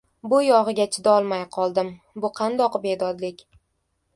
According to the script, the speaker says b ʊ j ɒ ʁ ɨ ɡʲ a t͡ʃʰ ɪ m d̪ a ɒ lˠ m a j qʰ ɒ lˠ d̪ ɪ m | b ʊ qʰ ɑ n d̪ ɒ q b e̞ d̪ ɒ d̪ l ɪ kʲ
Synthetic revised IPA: b ʊ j ɒ ʁ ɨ ɡʲ a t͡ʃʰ ɪ d̪ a ɒ lˠ m a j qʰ ɒ lˠ d̪ ɪ m | b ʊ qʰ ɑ n d̪ ɒ q b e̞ d̪ ɒ d̪ l ɪ kʲ